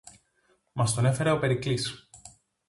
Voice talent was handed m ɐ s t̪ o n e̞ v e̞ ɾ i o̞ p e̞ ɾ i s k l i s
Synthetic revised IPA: m ɐ s t̪ o n e̞ f e̞ ɾ e o̞ p e̞ ɾ i k l i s